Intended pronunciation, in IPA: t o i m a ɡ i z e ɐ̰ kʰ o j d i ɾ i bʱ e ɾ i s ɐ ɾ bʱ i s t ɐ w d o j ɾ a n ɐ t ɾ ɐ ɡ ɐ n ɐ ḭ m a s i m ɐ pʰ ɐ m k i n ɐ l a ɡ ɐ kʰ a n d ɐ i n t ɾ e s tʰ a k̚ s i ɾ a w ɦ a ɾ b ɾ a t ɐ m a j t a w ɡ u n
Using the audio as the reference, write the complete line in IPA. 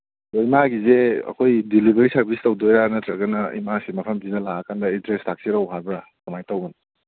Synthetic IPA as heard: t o i m a ɡ i z e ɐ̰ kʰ o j d i l i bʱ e ɾ i s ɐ ɾ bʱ i s t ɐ w d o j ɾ a n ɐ t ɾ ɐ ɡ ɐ n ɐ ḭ m a s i m ɐ pʰ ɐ m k i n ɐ l a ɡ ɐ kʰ a n d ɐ i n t ɾ e s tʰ a k̚ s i ɾ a w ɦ a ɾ b ɾ a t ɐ m a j t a w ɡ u n

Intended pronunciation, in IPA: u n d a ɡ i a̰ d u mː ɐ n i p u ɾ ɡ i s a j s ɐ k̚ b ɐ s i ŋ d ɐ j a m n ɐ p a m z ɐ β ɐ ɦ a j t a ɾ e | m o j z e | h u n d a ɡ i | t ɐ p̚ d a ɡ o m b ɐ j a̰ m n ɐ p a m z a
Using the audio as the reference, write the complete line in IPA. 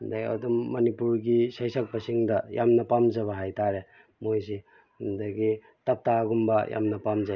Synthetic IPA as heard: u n d a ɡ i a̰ d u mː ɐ n i p u ɾ ɡ i s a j s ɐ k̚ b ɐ s i ŋ d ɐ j a m n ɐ p a m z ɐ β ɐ ɦ a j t a ɾ e | m o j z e | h u n d a ɡ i | t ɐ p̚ t a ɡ u m b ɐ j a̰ m n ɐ p a m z a

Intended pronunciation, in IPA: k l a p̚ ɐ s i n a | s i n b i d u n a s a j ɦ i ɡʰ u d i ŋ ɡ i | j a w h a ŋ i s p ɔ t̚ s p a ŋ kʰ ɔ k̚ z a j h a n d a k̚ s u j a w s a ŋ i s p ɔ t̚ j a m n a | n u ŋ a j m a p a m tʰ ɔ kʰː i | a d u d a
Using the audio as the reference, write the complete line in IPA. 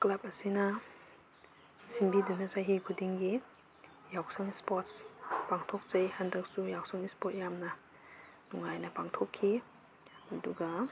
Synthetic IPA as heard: k l a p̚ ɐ s i n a | s i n b i d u n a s a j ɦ i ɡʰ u d i ŋ ɡ i | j a w s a ŋ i s p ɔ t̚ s p a ŋ tʰ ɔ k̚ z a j h a n d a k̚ s u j a w s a ŋ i s p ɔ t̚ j a m n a | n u ŋ a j n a p a ŋ tʰ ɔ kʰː i | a d u ɡ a

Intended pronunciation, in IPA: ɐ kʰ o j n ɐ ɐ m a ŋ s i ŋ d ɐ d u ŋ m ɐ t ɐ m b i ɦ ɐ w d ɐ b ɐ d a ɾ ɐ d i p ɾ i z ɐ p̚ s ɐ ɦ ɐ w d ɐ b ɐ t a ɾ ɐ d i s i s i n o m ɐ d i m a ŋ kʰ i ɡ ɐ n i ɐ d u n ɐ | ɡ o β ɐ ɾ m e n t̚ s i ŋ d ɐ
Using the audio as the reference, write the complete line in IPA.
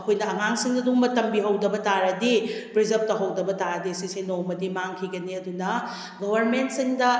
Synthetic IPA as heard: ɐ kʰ o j n ɐ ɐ ŋ a ŋ s i ŋ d ɐ d u ŋ m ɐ t ɐ m b i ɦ ɐ w d ɐ b ɐ t a ɾ ɐ d i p ɾ i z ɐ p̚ t ɐ ɦ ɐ w d ɐ b ɐ t a ɾ ɐ d i s i s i n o m ɐ d i m a ŋ kʰ i ɡ ɐ n i ɐ d u n ɐ | ɡ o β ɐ ɾ m e n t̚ s i ŋ d ɐ

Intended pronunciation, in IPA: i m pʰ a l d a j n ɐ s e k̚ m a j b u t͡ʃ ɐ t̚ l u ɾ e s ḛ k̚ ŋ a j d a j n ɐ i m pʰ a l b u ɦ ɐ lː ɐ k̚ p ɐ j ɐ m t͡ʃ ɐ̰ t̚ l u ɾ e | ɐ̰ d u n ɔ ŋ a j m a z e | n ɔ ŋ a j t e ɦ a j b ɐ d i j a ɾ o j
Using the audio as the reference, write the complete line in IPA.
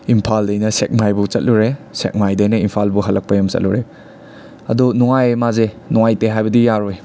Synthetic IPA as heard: i m pʰ a l d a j n ɐ s e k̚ m a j b u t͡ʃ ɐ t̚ l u ɾ e s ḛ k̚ m a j d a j n ɐ i m pʰ a l b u ɦ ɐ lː ɐ k̚ p ɐ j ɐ m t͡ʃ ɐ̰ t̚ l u ɾ e | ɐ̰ d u n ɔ ŋ a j m a z e | n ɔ ŋ a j t e ɦ a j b ɐ d i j a ɾ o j

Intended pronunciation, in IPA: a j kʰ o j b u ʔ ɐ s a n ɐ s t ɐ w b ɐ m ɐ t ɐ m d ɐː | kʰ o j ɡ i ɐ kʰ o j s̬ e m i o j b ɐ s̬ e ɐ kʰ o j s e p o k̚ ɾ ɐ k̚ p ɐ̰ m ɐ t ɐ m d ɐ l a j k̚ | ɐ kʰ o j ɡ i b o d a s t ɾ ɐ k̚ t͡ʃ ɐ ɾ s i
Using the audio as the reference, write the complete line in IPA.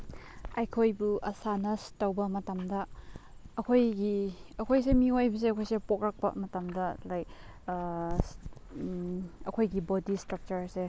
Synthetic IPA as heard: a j kʰ o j b u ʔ ɐ s a n ɐ s t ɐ w b ɐ m ɐ t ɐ m d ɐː | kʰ o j ɡ i ɐ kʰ o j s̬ e m i o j b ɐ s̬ e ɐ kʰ o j s e p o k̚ ɾ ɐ k̚ p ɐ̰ m ɐ t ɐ m d ɐ l a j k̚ | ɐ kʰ o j ɡ i b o d i s t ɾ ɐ k̚ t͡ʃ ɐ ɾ s e

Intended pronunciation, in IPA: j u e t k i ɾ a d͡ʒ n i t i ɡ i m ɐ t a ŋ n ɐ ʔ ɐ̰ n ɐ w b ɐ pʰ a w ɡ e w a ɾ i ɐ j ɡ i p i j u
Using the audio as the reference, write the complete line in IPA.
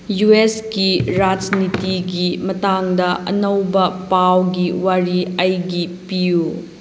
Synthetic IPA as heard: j u e s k i ɾ a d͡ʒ n i t i ɡ i m ɐ t a ŋ d ɐ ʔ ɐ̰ n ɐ w b ɐ p a w ɡ i w a ɾ i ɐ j ɡ i p i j u

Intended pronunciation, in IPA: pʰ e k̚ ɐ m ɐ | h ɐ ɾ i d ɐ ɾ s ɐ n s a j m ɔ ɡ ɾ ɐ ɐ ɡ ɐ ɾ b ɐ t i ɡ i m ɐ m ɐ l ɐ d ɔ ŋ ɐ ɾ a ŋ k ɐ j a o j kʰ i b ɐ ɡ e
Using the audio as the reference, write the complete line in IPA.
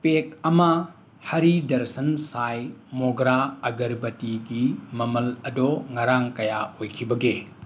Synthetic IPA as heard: p e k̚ ɐ m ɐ | h ɐ ɾ i d ɐ ɾ s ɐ n s a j m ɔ ɡ ɾ a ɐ ɡ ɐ ɾ b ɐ t i ɡ i m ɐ m ɐ l ɐ d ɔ ŋ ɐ ɾ a ŋ k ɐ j a o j kʰ i b ɐ ɡ e

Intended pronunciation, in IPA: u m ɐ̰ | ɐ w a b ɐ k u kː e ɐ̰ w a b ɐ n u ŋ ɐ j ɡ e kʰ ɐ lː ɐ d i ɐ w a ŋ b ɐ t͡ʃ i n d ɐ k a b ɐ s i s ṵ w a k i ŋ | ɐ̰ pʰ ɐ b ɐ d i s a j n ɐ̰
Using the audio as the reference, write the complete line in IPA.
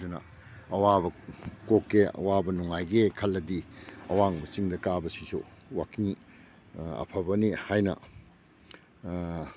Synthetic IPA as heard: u n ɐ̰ | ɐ w a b ɐ k o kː e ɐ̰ w a b ɐ n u ŋ a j ɡ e kʰ ɐ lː ɐ d i ɐ w a ŋ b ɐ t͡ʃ i ŋ d ɐ k a b ɐ s i s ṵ w a k i ŋ | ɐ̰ pʰ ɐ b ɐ n i h a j n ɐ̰

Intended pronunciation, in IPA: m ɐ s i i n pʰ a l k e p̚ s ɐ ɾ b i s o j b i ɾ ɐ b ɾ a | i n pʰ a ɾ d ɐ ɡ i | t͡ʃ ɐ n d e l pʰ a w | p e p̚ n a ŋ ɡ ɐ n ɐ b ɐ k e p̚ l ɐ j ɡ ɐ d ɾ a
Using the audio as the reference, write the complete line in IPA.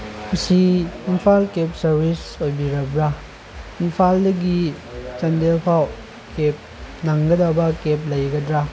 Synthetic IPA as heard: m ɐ s i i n pʰ a l k e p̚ s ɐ ɾ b i s o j b i ɾ ɐ b ɾ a | i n pʰ a l d ɐ ɡ i | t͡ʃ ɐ n d e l pʰ a w | k e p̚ n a ŋ ɡ ɐ d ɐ b ɐ k e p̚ l ɐ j ɡ ɐ d ɾ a

